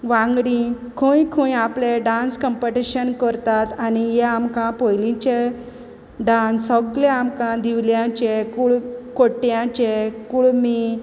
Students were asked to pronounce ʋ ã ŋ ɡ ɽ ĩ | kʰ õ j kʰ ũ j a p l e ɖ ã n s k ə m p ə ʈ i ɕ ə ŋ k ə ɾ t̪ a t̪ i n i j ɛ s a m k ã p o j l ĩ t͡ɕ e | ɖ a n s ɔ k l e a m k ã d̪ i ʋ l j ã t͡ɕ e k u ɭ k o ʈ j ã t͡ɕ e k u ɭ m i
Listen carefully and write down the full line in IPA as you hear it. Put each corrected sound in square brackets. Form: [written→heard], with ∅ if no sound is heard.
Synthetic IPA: ʋ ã ŋ ɡ ɽ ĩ | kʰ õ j kʰ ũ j a p l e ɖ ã n s k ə m p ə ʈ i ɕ ə [ŋ→n] k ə ɾ t̪ a t̪ [i→a] n i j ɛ [s→∅] a m k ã p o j l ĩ t͡ɕ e | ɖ a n s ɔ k l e a m k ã d̪ i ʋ l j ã t͡ɕ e k u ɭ k o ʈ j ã t͡ɕ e k u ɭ m i